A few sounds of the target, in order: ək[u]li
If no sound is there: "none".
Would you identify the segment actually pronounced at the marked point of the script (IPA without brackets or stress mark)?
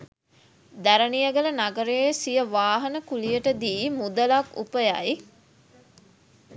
u